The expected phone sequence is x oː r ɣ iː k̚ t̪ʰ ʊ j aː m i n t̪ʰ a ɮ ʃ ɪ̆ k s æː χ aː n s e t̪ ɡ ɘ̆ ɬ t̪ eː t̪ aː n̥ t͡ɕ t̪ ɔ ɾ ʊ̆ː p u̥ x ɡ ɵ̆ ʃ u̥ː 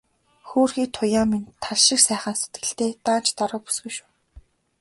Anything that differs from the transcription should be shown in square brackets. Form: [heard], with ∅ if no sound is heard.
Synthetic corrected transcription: x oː r [x] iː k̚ t̪ʰ ʊ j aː m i n t̪ʰ a ɮ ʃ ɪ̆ k s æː χ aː n s e t̪ ɡ ɘ̆ ɬ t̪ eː t̪ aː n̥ t͡ɕ t̪ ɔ ɾ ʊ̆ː p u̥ [s] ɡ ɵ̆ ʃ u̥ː